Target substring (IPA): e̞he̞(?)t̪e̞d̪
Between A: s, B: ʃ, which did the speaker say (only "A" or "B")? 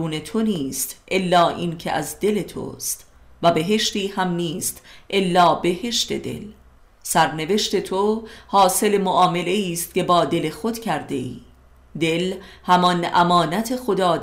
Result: B